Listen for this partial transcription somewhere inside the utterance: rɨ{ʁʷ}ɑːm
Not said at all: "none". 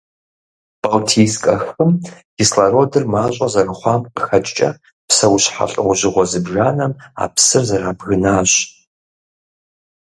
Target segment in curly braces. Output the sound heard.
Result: χʷ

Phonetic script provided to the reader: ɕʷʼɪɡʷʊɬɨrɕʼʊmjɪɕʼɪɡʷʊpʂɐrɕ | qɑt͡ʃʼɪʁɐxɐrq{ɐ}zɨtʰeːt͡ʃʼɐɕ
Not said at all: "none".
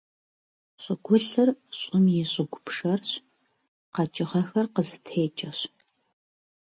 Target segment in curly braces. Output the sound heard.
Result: ə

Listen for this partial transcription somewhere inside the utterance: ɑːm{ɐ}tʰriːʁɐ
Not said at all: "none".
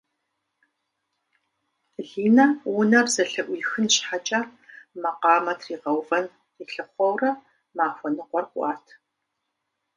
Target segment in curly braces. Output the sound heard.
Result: ɐ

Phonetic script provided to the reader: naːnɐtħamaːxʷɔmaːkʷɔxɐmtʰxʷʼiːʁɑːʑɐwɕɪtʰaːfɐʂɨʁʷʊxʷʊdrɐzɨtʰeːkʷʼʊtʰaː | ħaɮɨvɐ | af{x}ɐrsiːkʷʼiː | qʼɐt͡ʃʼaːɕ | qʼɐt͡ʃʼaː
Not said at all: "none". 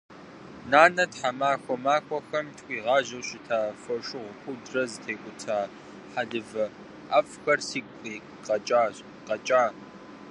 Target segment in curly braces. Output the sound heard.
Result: x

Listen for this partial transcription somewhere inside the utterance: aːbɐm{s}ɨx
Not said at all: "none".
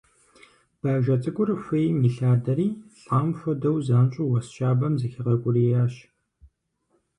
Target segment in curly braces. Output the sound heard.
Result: z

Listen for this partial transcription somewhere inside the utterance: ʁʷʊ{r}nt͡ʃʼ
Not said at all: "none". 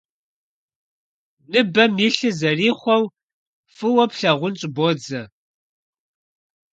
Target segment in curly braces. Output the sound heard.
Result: none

